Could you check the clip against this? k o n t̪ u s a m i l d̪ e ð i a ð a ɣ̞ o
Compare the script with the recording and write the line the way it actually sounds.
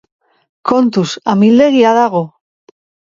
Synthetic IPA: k o n t̪ u s a m i l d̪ e ɣ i a ð a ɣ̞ o